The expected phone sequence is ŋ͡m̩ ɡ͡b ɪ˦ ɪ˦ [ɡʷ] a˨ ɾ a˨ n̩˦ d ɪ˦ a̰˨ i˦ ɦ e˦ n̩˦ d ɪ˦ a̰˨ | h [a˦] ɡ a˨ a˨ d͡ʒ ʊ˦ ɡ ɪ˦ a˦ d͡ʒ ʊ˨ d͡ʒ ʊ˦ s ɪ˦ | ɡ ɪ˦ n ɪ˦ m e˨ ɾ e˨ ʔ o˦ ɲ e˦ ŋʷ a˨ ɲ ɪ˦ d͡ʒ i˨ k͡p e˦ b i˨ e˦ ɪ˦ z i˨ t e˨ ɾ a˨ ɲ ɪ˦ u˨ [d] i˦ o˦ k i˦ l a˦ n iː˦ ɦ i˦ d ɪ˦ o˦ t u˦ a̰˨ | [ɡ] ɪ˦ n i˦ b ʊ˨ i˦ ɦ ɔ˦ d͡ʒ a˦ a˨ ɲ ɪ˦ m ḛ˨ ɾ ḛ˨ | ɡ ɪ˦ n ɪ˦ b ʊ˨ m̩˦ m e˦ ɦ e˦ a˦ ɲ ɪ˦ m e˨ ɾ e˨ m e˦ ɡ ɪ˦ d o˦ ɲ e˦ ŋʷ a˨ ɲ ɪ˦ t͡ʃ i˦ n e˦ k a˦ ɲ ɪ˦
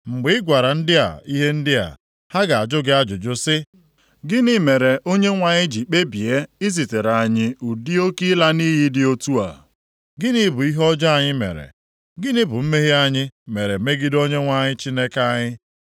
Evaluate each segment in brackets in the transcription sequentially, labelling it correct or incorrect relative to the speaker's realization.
correct, correct, correct, correct

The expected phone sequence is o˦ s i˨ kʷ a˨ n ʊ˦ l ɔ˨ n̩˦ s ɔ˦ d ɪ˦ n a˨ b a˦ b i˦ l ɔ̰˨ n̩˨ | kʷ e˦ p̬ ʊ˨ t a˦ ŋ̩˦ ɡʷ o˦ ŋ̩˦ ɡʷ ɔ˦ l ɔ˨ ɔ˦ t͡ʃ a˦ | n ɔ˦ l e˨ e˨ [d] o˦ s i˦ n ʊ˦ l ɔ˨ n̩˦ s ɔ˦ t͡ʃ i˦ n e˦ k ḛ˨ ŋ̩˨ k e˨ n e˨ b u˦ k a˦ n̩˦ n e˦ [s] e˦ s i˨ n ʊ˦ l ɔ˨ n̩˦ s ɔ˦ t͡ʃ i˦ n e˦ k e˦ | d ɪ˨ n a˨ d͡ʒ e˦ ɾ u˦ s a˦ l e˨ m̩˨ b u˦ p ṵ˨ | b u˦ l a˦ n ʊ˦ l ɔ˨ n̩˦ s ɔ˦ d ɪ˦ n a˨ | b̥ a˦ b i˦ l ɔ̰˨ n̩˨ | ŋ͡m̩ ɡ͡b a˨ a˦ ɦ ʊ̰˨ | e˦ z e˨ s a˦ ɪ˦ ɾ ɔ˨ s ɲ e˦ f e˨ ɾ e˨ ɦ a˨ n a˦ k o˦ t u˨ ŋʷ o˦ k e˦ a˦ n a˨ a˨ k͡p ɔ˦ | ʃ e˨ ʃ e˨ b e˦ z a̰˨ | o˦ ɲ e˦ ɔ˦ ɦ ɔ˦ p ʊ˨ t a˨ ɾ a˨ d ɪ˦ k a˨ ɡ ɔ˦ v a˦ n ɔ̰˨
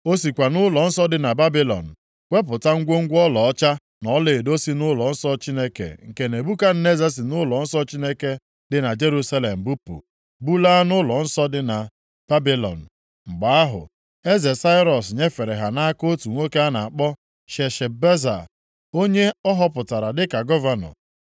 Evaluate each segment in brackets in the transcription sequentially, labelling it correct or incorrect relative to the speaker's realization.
correct, incorrect: z

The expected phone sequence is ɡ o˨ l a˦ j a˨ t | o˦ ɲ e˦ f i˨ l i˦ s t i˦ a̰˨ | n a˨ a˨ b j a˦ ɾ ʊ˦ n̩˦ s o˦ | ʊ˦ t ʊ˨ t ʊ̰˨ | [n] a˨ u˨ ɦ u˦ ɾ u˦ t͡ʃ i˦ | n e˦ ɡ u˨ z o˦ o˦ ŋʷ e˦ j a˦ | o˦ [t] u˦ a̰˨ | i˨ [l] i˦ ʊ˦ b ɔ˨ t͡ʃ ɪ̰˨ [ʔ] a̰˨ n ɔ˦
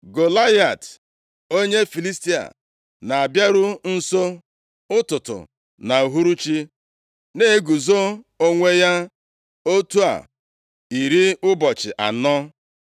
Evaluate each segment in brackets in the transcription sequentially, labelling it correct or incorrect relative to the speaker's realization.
correct, correct, incorrect: ɾ, correct

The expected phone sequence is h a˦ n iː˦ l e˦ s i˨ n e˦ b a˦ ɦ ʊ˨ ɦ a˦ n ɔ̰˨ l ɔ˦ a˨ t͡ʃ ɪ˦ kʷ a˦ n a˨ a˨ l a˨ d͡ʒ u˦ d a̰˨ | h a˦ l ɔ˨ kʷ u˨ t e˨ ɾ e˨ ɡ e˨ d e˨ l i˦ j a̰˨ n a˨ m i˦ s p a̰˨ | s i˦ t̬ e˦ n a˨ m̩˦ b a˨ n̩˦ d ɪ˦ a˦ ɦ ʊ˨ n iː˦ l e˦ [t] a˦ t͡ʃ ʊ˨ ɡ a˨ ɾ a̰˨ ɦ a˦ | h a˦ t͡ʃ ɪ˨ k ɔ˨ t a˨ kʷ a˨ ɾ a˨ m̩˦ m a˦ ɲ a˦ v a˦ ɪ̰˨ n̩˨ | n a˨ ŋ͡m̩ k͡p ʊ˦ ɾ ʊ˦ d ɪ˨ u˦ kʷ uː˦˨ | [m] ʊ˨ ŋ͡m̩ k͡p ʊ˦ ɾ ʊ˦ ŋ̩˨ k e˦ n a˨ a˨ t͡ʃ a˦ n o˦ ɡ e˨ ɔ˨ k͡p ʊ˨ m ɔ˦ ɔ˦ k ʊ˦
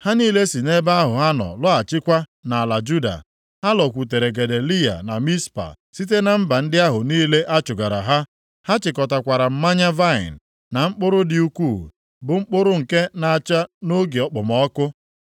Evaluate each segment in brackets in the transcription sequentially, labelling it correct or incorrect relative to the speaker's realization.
incorrect: ʔ, incorrect: b

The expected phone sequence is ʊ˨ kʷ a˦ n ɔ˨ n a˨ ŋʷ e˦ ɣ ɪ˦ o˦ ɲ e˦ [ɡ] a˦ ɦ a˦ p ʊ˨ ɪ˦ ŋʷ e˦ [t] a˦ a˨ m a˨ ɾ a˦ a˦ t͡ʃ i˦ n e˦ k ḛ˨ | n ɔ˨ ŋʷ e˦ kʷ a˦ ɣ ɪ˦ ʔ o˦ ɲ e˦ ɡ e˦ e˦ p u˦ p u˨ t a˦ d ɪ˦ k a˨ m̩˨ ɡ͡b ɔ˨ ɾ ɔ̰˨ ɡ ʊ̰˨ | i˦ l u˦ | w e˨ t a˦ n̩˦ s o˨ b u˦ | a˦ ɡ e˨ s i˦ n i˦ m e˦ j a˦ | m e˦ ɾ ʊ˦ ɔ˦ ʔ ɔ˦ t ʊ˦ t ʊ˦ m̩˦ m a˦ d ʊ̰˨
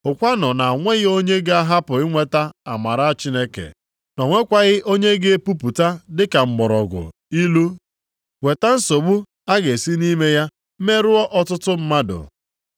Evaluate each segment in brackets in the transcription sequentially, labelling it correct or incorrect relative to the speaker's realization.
correct, correct

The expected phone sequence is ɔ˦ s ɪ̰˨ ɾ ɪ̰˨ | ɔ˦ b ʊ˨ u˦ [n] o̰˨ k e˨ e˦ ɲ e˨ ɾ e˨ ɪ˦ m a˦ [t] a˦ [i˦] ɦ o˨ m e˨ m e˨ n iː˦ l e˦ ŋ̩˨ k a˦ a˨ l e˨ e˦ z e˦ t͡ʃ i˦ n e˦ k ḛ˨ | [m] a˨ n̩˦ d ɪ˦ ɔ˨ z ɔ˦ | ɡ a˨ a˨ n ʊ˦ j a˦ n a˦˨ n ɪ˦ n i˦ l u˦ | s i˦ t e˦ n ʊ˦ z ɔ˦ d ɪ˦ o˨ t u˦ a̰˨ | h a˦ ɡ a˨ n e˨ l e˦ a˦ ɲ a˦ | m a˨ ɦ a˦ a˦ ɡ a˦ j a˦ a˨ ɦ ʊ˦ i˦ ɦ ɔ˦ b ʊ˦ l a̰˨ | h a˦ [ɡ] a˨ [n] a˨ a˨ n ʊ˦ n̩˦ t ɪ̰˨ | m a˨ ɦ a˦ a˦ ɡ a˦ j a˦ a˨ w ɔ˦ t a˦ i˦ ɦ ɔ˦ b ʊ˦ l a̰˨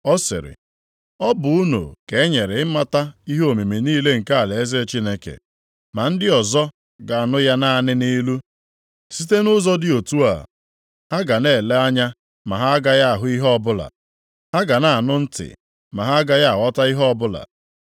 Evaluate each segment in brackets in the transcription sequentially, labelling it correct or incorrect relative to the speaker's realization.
correct, correct, correct, correct, correct, correct

